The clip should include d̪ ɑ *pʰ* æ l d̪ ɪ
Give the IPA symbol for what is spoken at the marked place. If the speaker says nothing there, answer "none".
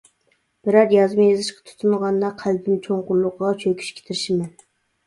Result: qʰ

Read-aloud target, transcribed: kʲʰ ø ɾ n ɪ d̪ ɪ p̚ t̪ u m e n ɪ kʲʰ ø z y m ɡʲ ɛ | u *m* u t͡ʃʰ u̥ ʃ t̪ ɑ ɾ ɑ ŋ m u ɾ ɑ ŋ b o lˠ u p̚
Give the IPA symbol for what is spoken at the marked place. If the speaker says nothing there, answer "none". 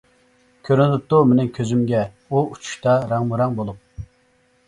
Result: none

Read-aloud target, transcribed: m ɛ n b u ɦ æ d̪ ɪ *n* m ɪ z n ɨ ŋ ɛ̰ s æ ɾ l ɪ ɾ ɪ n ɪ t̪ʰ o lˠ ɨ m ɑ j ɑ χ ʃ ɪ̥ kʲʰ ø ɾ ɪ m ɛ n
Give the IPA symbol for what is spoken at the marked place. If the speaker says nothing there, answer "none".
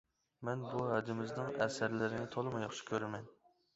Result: none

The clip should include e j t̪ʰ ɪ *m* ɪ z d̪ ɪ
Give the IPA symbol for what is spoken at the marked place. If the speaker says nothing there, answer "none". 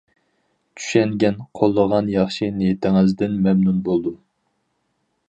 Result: ŋ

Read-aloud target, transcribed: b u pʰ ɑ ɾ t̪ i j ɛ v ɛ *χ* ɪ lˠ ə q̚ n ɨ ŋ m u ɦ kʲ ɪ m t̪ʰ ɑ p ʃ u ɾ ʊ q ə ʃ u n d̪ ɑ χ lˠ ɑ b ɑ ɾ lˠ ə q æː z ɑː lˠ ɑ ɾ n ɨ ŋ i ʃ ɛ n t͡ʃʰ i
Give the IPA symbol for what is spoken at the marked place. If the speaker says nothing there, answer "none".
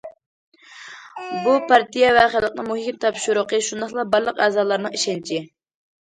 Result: χ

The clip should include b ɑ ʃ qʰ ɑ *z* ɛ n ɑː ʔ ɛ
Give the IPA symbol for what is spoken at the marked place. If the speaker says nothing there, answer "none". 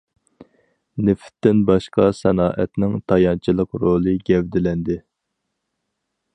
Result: s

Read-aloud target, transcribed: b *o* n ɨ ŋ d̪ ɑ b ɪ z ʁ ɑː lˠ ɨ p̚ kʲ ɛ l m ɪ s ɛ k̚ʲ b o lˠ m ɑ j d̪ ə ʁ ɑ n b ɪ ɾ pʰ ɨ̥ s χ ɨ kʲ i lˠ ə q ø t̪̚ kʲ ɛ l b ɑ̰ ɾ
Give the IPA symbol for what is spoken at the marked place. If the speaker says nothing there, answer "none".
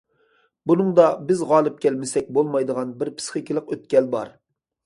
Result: u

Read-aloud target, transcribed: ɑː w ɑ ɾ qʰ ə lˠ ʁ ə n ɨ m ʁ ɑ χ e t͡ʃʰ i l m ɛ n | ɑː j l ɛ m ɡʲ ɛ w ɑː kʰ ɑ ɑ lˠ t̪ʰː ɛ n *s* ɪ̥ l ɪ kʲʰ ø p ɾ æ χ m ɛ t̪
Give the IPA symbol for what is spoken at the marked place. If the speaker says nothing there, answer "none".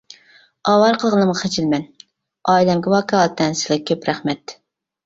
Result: s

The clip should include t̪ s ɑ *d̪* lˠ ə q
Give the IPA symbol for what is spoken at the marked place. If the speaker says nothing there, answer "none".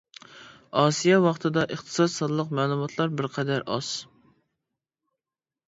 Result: d̪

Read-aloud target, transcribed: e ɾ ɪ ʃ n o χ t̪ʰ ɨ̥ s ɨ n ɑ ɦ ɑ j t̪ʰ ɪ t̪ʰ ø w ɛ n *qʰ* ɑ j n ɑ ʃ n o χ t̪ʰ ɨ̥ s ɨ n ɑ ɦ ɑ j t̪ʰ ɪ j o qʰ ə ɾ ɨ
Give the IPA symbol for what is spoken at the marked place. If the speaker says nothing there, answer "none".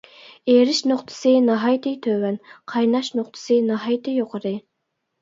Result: qʰ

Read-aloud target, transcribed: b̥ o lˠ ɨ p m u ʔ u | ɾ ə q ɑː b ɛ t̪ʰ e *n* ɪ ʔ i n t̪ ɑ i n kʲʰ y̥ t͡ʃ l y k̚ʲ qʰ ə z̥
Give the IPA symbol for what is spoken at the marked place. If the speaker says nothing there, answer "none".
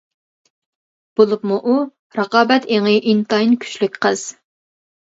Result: ŋ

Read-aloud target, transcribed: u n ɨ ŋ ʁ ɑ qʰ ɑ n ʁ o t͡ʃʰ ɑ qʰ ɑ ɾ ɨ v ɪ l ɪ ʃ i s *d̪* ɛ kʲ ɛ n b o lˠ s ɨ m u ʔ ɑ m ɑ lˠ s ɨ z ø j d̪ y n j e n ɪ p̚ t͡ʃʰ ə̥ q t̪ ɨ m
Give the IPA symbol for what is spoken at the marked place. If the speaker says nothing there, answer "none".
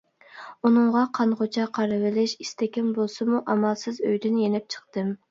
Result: t̪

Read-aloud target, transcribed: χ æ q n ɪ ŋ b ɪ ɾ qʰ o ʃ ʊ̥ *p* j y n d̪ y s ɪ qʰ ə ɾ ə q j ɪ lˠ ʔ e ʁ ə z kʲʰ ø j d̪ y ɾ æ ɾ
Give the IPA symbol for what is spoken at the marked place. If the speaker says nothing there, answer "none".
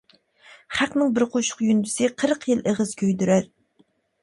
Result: q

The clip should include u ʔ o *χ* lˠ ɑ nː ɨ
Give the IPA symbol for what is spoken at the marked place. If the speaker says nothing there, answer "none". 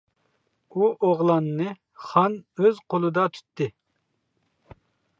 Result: ʁ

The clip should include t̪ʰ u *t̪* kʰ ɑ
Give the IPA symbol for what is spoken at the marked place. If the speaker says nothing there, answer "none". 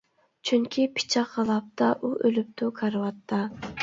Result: none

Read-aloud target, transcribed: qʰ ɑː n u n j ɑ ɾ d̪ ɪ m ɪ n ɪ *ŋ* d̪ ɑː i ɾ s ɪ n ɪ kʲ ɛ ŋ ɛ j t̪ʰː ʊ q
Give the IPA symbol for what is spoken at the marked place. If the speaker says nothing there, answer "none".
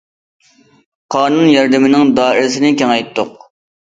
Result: ŋ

